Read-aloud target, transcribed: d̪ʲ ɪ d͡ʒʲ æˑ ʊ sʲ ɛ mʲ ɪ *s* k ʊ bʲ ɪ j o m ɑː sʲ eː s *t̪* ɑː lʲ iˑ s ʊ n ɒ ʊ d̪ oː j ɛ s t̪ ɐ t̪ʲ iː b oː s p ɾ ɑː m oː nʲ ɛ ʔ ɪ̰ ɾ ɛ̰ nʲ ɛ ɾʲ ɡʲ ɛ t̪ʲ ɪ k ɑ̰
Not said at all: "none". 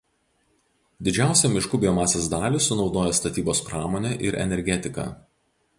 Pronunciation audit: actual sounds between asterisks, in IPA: ʃ, d̪

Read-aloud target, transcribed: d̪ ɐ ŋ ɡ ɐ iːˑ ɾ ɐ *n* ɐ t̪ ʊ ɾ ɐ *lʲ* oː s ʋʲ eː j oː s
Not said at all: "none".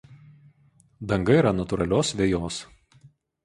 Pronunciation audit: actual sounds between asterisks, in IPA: n, lʲ

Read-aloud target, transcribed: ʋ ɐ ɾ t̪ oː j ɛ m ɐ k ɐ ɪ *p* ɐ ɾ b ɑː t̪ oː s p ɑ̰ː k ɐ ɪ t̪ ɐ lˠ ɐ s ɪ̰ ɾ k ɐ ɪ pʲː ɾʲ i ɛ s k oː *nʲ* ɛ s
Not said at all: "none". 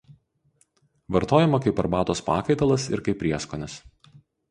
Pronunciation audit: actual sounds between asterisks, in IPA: p, nʲ

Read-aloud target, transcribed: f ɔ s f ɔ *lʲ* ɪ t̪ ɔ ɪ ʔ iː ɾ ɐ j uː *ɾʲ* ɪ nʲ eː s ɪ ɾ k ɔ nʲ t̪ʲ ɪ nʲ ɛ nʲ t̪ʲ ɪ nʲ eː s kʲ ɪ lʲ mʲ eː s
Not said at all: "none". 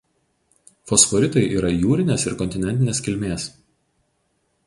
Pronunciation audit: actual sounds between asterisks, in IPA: ɾʲ, ɾʲ

